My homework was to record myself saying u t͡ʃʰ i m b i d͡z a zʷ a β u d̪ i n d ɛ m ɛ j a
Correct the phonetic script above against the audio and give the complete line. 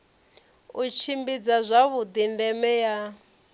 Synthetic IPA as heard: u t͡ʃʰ i m b i d͡z a zʷ a β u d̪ i n d ɛ m ɛ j a